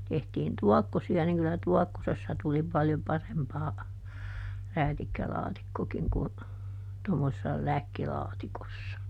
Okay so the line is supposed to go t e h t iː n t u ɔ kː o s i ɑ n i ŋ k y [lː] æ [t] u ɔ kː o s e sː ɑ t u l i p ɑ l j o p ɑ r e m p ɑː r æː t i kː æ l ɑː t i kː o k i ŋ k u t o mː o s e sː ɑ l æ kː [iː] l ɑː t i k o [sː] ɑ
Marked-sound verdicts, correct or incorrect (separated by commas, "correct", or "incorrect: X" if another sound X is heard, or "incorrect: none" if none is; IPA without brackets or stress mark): incorrect: l, correct, incorrect: i, correct